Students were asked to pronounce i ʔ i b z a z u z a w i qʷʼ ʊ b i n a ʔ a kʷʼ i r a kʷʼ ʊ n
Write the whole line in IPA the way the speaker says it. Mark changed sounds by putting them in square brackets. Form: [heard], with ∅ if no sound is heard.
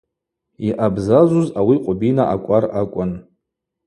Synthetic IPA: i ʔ [a] b z a z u z a w i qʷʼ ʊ b i n a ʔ a kʷʼ [a] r a kʷʼ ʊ n